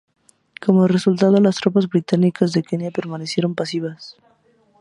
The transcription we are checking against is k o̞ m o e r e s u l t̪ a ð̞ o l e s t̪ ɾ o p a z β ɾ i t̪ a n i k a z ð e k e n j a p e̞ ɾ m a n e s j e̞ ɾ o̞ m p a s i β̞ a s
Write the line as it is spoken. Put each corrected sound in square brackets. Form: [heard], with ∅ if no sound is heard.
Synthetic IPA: k o̞ m o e r e s u l t̪ a ð̞ o l [a] s t̪ ɾ o p a z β ɾ i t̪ a n i k a z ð e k e n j a p e̞ ɾ m a n e s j e̞ ɾ o̞ m p a s i β̞ a s